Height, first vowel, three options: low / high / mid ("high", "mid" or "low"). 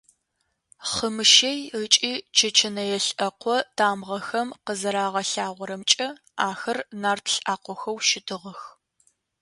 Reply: mid